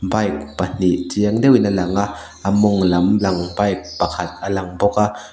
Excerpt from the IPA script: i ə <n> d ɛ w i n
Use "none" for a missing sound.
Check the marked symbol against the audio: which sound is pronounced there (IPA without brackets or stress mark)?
ŋ